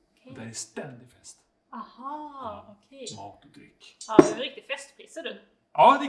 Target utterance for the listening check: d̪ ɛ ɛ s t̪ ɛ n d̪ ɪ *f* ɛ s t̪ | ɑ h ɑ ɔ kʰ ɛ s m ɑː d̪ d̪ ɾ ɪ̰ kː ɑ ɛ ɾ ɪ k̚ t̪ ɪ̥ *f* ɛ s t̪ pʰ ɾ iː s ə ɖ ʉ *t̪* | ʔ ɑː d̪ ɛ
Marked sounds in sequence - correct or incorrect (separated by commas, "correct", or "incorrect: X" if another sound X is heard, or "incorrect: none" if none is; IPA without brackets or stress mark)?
correct, correct, incorrect: none